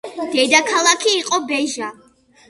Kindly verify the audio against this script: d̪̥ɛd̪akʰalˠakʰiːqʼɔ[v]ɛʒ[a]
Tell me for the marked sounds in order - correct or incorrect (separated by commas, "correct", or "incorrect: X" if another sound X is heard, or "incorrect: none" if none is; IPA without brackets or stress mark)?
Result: incorrect: b, correct